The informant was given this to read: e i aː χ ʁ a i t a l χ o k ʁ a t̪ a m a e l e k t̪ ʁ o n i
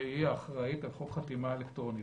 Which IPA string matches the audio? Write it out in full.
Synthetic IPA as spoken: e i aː χ ʁ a i t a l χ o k χ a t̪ i m a e l e k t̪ ʁ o n i